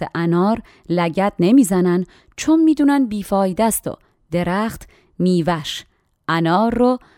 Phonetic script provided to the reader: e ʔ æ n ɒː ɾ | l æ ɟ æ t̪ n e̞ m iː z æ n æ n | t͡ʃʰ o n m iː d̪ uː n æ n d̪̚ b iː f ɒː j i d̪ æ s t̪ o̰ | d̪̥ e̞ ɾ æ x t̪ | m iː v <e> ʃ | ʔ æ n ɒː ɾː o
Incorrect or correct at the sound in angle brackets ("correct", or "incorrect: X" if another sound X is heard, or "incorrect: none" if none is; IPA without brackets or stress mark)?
incorrect: æ